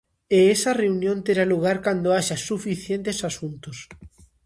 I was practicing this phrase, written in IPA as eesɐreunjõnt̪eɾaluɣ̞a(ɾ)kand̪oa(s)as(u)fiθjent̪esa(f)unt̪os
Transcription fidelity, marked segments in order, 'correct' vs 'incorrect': correct, incorrect: ʃ, correct, incorrect: s

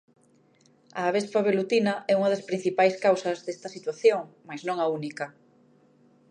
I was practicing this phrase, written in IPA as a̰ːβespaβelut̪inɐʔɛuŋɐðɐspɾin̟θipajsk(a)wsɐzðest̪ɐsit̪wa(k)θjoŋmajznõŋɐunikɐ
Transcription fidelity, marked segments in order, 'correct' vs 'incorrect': correct, incorrect: none

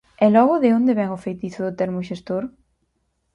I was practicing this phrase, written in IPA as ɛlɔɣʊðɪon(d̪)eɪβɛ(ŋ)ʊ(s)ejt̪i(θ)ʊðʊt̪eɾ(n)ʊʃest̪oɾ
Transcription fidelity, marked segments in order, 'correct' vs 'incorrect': correct, correct, incorrect: f, correct, incorrect: m

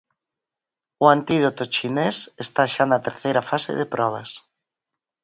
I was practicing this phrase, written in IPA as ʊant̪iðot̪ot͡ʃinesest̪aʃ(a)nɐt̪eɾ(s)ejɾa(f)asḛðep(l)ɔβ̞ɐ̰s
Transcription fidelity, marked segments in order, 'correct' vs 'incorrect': correct, incorrect: θ, correct, incorrect: ɾ

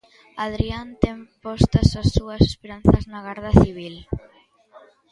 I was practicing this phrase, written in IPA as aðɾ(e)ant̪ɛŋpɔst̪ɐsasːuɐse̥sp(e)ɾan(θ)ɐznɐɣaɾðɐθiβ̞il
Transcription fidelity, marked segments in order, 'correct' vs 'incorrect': incorrect: i, correct, correct

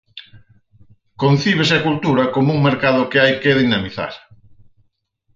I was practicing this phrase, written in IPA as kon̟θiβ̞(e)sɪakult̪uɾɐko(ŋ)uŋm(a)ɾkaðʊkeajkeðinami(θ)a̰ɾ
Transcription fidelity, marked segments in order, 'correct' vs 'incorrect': correct, incorrect: m, incorrect: e, correct

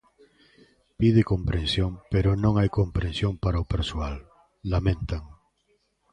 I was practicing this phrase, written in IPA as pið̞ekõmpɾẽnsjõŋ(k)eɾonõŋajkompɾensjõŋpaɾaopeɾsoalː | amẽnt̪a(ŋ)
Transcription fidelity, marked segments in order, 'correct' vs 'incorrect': incorrect: p, correct

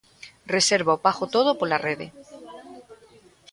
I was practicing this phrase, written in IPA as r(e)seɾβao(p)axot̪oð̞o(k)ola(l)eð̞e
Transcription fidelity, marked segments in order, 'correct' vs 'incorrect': correct, correct, incorrect: p, incorrect: r

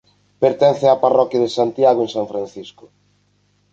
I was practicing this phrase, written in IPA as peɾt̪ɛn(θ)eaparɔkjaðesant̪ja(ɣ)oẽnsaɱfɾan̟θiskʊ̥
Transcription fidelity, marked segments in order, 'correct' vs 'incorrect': correct, correct

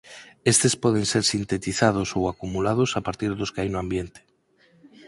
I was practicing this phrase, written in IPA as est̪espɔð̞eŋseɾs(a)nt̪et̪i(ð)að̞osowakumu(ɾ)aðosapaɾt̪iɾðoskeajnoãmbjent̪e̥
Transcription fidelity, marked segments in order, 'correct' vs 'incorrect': incorrect: i, incorrect: θ, incorrect: l

